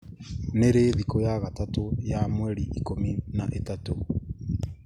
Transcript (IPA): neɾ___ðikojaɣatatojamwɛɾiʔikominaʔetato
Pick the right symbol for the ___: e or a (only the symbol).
e